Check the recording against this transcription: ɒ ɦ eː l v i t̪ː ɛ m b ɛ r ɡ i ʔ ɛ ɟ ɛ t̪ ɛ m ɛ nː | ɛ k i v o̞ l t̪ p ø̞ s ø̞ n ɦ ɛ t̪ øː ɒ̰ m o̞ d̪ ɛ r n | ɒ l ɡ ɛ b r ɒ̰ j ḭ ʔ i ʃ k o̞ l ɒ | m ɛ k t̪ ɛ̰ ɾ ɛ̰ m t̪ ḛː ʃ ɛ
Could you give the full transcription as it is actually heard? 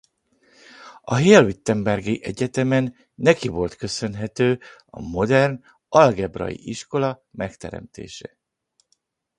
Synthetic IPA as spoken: ɒ ɦ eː l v i t̪ː ɛ m b ɛ r ɡ i ʔ ɛ ɟ ɛ t̪ ɛ m ɛ nː | ɛ k i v o̞ l t̪ k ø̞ s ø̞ n ɦ ɛ t̪ øː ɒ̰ m o̞ d̪ ɛ r n | ɒ l ɡ ɛ b r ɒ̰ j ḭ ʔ i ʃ k o̞ l ɒ | m ɛ k t̪ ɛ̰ ɾ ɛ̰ m t̪ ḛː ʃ ɛ